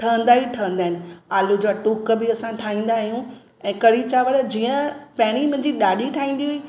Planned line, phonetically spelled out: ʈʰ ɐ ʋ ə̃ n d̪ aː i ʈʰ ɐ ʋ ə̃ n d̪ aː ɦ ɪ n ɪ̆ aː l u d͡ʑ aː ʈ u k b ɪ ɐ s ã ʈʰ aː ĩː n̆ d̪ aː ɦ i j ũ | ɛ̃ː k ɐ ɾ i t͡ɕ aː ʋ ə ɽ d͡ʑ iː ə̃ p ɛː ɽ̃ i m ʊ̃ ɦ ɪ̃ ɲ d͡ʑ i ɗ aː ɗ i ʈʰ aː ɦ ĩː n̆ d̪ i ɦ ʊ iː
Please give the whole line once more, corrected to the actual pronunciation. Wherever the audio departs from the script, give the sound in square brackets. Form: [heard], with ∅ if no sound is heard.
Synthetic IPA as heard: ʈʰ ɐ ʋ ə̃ n d̪ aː i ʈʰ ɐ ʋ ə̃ n d̪ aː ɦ ɪ n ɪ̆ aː l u d͡ʑ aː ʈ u k b ɪ ɐ s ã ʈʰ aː ĩː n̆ d̪ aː ɦ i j ũ | ɛ̃ː k ɐ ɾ i t͡ɕ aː ʋ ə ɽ d͡ʑ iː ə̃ p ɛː ɽ̃ i m ʊ̃ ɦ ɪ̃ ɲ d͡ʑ i ɗ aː ɗ i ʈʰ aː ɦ ĩː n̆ d̪ i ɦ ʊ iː